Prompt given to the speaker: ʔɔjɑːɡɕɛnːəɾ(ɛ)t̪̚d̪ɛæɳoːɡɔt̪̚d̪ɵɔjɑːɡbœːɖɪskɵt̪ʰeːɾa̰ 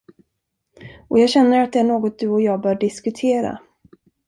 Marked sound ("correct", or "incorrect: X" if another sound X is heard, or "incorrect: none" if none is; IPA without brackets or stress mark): incorrect: a